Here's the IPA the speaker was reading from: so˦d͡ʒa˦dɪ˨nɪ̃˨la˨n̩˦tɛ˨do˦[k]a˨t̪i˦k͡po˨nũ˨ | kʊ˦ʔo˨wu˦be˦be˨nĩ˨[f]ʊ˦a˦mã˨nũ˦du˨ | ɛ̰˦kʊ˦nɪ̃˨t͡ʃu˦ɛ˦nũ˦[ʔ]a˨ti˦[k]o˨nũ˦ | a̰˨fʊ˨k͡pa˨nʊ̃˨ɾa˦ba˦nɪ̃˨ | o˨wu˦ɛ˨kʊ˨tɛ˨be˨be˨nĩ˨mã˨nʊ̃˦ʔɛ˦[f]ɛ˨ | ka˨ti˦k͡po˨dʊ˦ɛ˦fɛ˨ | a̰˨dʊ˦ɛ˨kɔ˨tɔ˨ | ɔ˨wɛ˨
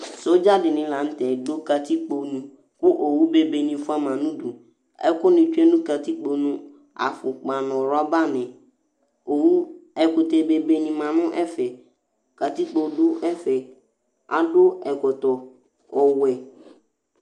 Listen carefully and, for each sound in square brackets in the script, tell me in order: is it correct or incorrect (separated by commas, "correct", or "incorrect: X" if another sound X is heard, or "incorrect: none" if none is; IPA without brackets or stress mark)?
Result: correct, correct, incorrect: k, incorrect: k͡p, correct